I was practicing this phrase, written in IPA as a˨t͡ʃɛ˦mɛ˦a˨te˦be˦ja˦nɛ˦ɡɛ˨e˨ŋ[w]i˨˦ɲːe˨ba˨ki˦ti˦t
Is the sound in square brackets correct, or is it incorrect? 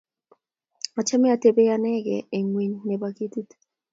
correct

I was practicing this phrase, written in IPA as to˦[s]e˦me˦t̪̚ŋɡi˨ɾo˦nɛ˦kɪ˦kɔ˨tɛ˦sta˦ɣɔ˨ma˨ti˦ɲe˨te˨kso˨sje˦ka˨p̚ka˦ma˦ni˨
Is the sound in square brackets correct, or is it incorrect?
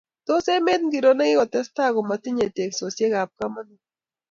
correct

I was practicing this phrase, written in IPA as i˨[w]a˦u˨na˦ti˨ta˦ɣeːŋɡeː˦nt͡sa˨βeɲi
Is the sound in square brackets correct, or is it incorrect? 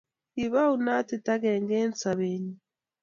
incorrect: β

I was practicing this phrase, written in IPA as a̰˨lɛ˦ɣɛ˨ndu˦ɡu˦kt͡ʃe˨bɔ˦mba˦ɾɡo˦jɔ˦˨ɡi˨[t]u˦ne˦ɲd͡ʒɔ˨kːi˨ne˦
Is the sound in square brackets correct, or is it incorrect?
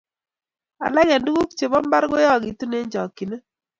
correct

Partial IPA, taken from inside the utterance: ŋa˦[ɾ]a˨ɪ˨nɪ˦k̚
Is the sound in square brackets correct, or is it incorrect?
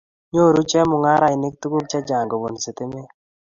correct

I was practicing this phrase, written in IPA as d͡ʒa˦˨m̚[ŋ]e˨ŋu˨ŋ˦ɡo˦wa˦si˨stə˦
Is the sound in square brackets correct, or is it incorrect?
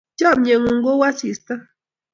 incorrect: ɲ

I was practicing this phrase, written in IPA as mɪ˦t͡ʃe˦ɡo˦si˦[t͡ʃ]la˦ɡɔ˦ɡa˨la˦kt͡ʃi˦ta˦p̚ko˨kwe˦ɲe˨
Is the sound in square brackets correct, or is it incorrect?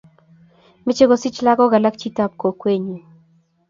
correct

